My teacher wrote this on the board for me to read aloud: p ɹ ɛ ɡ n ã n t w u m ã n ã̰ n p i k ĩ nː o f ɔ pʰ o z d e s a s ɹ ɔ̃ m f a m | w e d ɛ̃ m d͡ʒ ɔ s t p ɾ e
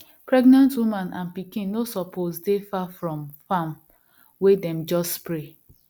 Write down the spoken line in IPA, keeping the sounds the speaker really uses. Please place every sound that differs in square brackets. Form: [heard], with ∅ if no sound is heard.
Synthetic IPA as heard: p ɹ ɛ ɡ n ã n t w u m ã n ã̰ n p i k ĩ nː o [s] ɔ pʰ o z d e [f] a [f] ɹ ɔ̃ m f a m | w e d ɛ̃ m d͡ʒ ɔ s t p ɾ e